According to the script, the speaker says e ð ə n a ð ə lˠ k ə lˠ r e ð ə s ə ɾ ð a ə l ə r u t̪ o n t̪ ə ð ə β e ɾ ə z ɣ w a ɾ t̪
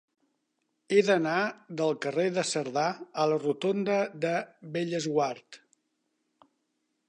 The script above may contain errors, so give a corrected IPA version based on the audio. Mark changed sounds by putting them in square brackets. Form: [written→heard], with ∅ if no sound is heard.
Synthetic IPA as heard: e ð ə n a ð ə lˠ k ə [lˠ→∅] r e ð ə s ə ɾ ð a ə l ə r u t̪ o n [t̪→d̪] ə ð ə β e [ɾ→ʎ] ə z ɣ w a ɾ t̪